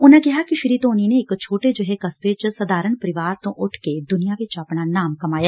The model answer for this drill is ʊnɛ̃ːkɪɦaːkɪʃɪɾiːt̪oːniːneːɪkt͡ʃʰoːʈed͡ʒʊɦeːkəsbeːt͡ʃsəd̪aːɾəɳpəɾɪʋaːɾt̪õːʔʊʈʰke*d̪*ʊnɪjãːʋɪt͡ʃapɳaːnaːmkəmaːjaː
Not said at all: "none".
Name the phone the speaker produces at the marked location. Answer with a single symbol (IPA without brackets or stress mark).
d̪